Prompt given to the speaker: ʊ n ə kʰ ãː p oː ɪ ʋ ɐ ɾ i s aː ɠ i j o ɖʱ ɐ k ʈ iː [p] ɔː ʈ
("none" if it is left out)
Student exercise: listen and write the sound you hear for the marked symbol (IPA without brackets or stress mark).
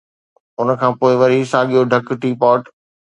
p